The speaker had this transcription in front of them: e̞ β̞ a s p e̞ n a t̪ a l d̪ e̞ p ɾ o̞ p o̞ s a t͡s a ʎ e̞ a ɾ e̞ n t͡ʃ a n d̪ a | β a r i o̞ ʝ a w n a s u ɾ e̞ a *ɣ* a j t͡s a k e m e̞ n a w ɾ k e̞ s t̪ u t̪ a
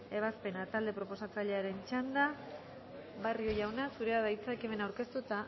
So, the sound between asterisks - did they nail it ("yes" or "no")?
no